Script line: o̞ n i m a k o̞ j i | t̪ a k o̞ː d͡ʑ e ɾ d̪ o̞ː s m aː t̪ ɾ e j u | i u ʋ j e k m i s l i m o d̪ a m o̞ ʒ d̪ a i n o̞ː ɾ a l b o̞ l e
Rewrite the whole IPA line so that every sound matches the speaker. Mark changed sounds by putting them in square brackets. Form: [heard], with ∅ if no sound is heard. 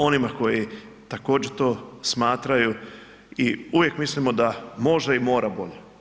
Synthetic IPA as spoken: o̞ n i m a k o̞ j i | t̪ a k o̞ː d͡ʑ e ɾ [t̪] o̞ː s m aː t̪ ɾ [a] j u | i u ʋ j e k m i s l i m o d̪ a m o̞ ʒ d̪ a i [m] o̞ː ɾ a [∅] b o̞ [ʎ] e